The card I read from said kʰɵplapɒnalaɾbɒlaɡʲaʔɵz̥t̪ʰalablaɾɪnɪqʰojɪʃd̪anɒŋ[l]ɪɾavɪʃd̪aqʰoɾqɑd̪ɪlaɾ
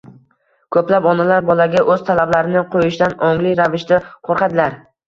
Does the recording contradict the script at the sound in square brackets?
no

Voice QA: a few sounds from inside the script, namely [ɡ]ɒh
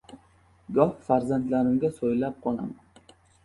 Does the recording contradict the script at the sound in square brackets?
no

